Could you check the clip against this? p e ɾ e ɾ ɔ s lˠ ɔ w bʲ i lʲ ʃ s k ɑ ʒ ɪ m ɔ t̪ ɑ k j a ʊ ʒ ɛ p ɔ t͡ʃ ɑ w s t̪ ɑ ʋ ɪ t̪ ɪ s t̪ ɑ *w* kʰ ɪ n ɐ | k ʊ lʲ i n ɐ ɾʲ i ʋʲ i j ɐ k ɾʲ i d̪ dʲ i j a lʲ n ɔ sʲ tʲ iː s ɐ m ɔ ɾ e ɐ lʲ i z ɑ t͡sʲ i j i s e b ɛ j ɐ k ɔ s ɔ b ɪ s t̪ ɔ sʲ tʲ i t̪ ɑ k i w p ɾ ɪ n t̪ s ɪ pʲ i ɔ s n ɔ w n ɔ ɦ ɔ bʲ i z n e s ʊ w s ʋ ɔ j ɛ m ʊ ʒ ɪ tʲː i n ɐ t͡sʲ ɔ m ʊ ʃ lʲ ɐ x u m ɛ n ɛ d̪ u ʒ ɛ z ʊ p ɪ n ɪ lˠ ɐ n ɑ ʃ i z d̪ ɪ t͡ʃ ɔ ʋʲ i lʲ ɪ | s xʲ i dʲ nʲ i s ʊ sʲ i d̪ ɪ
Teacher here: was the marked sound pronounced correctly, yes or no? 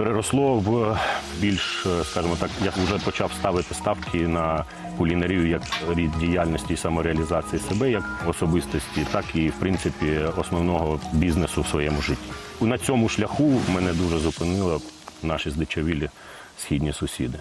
yes